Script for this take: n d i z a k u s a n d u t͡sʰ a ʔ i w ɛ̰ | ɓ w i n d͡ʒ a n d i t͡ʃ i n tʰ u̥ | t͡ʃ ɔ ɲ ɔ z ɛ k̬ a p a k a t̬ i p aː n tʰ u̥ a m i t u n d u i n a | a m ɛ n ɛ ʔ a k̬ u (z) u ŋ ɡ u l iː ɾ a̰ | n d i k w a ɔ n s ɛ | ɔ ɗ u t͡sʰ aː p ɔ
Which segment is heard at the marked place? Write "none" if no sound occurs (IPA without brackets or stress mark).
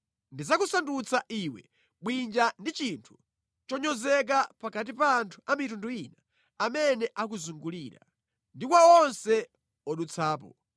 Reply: z